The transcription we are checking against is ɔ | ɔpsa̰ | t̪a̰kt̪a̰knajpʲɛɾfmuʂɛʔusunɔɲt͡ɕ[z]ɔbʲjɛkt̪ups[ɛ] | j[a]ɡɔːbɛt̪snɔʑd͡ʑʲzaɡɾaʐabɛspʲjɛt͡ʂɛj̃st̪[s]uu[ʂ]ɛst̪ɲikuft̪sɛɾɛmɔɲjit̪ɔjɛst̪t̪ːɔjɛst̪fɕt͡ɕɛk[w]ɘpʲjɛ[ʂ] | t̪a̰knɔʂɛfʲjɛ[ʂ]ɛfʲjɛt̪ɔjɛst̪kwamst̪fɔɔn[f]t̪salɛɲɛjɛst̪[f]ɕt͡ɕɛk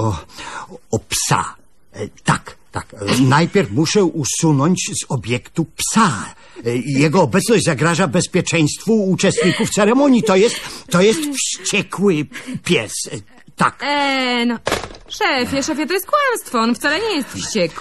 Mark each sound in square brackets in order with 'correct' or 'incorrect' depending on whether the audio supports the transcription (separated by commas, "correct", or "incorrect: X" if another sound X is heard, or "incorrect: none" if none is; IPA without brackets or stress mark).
correct, incorrect: a, incorrect: ɛ, incorrect: f, incorrect: t͡ʂ, correct, incorrect: s, correct, correct, correct